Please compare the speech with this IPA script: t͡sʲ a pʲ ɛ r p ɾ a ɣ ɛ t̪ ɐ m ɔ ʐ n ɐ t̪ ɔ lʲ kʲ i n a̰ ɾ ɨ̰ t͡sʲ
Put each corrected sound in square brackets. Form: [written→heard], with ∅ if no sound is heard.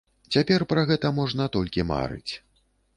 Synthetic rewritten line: t͡sʲ a pʲ ɛ r p ɾ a ɣ ɛ t̪ ɐ m ɔ ʐ n ɐ t̪ ɔ lʲ kʲ i [n→m] a̰ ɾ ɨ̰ t͡sʲ